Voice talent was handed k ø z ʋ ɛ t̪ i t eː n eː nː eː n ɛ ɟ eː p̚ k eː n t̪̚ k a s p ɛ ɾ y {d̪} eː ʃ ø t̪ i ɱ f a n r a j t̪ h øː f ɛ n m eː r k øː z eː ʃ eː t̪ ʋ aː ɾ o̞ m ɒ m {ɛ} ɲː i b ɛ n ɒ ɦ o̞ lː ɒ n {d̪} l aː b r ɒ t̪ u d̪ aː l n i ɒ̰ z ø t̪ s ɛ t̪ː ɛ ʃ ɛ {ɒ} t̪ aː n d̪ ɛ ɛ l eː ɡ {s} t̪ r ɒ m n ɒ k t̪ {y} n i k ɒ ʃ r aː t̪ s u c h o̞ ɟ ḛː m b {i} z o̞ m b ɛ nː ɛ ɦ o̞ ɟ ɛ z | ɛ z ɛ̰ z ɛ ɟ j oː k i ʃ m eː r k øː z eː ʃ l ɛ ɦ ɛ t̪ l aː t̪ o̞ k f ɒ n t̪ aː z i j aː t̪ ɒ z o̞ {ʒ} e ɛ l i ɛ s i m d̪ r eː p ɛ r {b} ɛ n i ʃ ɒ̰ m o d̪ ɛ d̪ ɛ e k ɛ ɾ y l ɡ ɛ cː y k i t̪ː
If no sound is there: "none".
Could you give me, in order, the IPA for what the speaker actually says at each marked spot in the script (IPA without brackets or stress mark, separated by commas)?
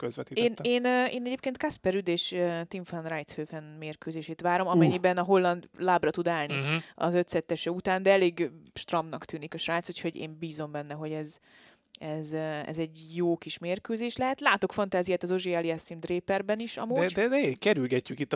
d̪, ɛ, d̪, u, ʃ, yː, iː, ʒ, b